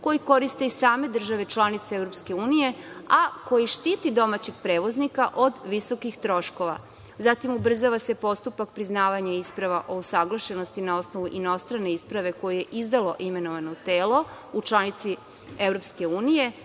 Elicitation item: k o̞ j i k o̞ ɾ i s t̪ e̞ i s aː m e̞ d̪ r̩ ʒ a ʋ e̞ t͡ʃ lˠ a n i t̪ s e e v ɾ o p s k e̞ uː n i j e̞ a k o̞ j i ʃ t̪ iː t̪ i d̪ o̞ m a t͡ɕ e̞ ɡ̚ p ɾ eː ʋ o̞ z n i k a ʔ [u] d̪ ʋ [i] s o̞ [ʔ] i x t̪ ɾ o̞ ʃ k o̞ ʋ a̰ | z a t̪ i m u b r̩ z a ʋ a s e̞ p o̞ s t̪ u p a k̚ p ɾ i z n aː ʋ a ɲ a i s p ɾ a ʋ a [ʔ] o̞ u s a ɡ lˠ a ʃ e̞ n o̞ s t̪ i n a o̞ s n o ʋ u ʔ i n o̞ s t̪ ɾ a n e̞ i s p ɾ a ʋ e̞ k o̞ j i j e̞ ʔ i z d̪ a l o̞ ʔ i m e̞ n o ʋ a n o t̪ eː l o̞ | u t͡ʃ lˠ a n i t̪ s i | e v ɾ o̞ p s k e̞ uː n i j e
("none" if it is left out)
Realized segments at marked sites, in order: o, i, k, ʔ

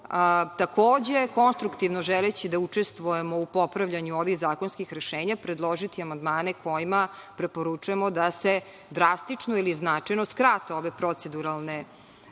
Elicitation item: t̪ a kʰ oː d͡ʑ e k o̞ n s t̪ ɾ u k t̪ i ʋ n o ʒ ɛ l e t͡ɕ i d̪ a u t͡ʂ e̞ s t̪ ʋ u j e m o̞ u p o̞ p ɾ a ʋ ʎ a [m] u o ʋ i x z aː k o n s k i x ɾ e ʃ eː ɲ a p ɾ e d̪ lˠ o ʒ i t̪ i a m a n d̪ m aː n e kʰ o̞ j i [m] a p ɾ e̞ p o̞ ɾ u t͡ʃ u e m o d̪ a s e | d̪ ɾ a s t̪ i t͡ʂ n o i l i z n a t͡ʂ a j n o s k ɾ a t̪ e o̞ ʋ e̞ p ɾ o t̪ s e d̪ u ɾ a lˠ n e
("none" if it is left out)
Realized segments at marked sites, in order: ɲ, m

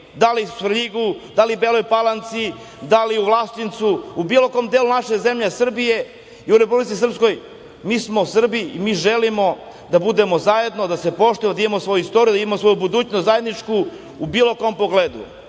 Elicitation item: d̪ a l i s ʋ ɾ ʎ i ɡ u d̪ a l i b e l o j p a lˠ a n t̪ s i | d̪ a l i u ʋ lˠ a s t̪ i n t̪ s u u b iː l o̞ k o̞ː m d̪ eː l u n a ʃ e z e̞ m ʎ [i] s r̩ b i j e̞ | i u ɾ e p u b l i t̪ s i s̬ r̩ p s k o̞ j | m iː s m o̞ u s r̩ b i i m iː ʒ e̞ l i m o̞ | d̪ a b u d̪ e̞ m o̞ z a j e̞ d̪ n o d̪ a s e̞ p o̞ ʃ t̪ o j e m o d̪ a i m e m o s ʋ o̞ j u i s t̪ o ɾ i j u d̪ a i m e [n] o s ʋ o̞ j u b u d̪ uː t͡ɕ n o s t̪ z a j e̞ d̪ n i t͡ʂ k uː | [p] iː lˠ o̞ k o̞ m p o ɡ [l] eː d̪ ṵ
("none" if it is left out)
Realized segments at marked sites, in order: e, m, b, l

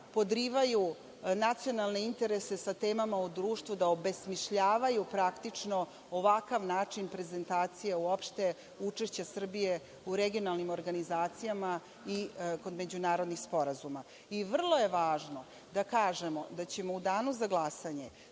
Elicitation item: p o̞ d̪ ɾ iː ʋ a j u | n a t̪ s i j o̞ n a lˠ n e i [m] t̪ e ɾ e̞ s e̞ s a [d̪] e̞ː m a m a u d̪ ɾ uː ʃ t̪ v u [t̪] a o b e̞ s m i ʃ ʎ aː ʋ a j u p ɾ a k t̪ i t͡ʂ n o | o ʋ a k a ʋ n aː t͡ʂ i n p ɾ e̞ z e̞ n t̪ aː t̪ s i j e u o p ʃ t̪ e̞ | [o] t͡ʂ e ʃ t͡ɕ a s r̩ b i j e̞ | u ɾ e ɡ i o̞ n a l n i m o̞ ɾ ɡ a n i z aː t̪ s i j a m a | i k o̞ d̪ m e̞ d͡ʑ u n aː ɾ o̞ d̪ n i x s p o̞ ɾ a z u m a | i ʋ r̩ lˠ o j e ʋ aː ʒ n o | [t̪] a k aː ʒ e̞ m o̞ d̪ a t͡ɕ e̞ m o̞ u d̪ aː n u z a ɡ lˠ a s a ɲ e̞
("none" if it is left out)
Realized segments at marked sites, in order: n, t̪, d̪, u, d̪

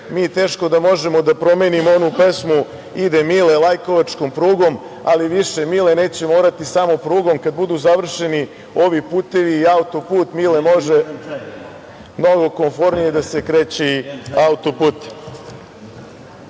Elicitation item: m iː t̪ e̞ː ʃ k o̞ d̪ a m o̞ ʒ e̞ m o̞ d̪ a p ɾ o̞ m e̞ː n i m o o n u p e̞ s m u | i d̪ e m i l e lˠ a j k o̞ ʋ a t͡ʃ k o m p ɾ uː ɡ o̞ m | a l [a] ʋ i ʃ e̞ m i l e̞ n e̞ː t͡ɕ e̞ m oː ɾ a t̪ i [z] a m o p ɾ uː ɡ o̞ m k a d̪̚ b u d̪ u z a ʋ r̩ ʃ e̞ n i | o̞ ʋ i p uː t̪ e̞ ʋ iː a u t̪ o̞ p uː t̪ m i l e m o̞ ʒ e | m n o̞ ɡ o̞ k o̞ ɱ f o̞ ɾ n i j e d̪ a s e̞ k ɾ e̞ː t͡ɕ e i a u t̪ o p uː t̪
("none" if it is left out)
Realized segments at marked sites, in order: i, s

